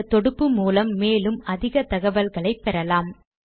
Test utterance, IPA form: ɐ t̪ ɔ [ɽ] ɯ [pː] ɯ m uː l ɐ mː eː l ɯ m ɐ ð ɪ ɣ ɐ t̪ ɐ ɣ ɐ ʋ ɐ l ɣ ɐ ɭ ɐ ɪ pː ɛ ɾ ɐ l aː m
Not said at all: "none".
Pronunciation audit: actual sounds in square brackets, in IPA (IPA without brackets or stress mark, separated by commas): ɽ, pː